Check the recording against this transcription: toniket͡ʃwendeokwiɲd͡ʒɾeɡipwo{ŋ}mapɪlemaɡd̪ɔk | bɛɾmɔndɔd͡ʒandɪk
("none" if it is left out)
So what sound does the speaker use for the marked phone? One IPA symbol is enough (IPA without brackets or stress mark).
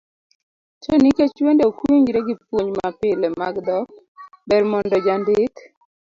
ɲ